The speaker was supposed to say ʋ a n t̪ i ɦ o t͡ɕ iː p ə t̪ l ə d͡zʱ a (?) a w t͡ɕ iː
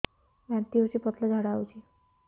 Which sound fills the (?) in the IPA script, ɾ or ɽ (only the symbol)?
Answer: ɽ